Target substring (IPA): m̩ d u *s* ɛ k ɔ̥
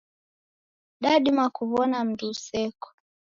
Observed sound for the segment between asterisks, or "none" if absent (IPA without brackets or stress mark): s